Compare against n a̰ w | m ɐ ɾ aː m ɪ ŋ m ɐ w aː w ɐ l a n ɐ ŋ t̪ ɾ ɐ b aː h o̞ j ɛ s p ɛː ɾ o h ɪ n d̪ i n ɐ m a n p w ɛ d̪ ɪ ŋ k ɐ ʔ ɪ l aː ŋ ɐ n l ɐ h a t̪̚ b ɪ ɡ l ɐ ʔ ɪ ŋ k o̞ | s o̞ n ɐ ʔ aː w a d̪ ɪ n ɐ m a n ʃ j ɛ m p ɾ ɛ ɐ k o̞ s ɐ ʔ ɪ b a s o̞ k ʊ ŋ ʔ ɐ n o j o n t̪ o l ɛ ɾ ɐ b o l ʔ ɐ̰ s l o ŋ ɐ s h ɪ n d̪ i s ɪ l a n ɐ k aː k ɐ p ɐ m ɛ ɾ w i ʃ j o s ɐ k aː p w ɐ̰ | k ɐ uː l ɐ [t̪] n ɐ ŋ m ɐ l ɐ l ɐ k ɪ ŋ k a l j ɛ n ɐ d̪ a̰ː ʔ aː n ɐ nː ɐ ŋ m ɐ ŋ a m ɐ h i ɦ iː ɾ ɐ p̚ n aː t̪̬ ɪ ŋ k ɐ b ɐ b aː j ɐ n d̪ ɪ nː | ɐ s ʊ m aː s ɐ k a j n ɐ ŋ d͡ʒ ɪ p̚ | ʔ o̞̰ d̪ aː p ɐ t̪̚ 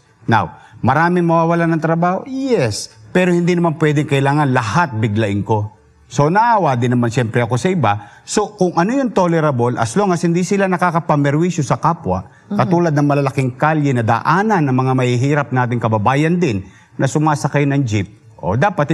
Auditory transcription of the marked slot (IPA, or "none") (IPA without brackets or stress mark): d̪